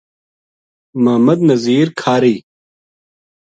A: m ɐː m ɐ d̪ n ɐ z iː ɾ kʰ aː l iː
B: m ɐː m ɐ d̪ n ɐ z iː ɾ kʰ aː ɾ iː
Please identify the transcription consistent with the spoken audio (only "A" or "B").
B